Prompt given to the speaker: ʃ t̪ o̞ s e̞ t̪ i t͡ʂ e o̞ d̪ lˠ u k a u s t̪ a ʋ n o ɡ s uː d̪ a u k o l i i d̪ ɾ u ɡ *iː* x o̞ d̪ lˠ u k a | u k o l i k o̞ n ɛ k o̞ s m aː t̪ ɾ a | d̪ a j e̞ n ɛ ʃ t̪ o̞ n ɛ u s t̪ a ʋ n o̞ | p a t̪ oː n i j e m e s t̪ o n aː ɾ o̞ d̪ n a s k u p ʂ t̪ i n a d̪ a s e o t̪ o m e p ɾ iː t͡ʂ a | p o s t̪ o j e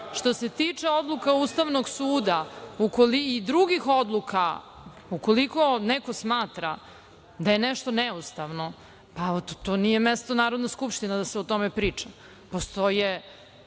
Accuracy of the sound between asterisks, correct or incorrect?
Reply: incorrect